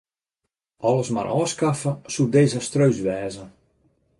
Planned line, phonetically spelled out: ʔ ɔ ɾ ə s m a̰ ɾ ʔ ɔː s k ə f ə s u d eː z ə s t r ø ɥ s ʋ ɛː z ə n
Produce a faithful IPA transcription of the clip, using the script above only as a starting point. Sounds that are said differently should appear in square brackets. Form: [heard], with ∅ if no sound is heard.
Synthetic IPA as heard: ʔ ɔ [l] ə s m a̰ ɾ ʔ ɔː s k [a] f ə s u d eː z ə s t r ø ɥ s ʋ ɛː z ə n

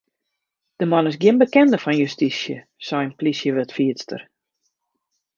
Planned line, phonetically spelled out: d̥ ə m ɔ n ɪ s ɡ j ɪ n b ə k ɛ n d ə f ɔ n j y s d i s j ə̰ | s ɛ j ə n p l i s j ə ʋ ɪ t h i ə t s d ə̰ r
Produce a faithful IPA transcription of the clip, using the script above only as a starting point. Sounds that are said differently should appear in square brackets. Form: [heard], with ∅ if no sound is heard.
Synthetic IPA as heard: d̥ ə m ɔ n ɪ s ɡ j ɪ n b ə k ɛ n d ə f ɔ n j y s [t] i s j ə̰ | s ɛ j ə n p l i s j ə ʋ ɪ t [f] i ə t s [t] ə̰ r

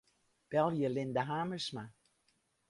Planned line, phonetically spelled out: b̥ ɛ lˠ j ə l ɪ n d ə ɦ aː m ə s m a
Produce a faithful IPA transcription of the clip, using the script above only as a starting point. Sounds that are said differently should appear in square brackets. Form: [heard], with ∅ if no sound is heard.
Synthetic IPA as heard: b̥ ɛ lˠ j ə l ɪ n d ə ɦ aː m ə s m a

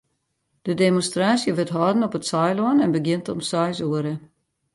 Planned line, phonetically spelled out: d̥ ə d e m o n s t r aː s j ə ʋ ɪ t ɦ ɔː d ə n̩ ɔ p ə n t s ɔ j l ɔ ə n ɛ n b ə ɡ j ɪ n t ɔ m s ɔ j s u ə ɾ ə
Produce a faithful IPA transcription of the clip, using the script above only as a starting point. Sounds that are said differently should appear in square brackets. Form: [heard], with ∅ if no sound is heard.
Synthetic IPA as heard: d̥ ə d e m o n s t r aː s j ə ʋ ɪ t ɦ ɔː d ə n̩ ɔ p ə [∅] t s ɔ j l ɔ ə n ɛ n b ə ɡ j ɪ n t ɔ m s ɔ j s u ə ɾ ə

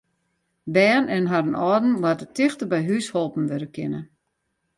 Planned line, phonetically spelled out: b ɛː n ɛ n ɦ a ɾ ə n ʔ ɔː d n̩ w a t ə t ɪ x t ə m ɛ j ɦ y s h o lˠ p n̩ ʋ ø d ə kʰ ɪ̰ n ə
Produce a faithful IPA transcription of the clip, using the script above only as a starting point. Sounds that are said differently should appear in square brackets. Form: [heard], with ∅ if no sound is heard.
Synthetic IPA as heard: b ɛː n ɛ n ɦ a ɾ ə n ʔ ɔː d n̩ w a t ə t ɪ x t ə [b] ɛ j ɦ y s h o lˠ p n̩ ʋ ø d ə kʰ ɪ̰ n ə

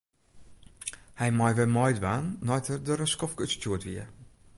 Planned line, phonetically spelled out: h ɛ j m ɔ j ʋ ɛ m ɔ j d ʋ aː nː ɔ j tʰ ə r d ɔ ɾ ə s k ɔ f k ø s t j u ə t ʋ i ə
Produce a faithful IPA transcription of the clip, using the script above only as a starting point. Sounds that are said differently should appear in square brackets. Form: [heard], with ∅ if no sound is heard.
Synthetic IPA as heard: h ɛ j m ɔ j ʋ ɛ m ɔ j d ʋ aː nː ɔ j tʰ ə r d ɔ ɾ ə s k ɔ f k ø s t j u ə t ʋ i ə

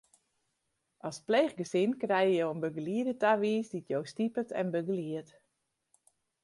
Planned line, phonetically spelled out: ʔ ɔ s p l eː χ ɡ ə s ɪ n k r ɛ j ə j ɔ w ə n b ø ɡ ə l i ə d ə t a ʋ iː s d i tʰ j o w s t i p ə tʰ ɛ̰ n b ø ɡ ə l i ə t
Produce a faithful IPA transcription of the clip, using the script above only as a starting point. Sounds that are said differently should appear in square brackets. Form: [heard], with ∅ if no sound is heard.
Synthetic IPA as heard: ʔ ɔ s p l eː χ ɡ ə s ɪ n k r ɛ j ə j [o] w ə n b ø ɡ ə l i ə d ə t a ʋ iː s d i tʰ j o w s t i p ə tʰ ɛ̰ n b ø ɡ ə l i ə t

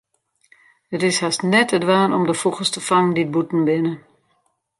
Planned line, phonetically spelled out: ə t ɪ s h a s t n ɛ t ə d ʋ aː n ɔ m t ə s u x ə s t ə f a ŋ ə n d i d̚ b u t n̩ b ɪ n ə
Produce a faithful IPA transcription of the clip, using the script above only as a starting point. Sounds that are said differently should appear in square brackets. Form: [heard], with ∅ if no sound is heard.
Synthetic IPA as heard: ə t ɪ s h a s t n ɛ t ə d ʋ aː n ɔ m [d] ə [f] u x ə s t ə f a ŋ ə n d i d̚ b u t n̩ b ɪ n ə

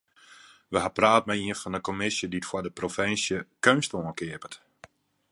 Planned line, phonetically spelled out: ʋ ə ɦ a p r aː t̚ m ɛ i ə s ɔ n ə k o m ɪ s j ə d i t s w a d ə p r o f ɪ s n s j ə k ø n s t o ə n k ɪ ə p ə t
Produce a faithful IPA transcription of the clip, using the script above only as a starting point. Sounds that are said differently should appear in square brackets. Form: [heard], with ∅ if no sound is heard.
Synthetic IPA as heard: ʋ ə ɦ a p r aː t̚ m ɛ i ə [f] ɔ n ə k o m ɪ s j ə d i t [f] w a d ə p r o f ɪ [∅] n s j ə k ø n s t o ə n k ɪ ə p ə t

